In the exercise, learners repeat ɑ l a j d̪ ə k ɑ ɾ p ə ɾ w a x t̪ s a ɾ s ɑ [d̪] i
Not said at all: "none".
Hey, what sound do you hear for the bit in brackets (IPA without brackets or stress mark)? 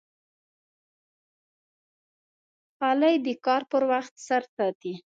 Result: t̪